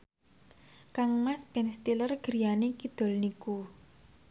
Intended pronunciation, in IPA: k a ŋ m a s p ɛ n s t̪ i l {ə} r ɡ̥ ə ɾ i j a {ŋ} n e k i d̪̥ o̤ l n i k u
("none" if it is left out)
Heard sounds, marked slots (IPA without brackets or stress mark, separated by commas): ə, none